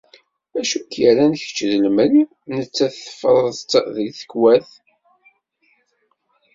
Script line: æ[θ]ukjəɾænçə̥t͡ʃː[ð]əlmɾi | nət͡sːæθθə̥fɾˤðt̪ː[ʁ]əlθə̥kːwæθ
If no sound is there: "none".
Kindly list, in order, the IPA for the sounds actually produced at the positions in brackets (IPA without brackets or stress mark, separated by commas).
ʃ, ð, ð